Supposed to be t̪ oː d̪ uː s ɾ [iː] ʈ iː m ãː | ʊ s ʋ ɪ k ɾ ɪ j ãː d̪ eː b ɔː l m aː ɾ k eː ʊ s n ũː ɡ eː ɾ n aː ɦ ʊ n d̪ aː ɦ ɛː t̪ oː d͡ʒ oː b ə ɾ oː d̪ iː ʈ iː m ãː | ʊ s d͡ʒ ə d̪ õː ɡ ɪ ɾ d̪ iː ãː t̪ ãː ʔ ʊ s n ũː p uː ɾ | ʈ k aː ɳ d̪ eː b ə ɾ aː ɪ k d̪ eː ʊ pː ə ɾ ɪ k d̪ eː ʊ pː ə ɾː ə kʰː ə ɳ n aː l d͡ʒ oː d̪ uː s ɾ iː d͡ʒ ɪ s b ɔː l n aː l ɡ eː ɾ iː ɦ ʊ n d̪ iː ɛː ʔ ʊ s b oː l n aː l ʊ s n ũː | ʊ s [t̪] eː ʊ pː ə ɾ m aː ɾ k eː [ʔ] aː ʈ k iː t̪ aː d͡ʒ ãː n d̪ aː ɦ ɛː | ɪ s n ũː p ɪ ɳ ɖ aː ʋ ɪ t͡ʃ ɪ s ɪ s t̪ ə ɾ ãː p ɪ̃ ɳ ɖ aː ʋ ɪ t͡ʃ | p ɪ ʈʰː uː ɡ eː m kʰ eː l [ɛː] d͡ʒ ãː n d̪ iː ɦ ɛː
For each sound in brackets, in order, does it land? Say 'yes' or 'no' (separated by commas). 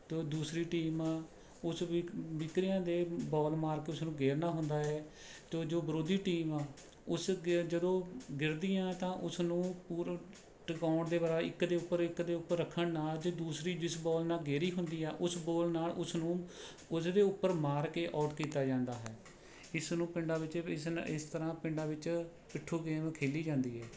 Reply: yes, no, yes, no